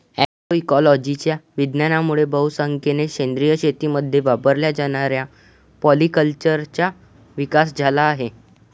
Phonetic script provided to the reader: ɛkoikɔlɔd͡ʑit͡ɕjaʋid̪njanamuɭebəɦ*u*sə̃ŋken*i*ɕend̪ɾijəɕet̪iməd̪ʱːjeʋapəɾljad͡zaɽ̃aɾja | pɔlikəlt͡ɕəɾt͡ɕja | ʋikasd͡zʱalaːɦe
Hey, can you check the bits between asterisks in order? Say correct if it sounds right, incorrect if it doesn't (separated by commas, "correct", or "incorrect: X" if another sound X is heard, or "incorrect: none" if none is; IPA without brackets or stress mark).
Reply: correct, incorrect: e